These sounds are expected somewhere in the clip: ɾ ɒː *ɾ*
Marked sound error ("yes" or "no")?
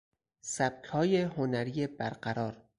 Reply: no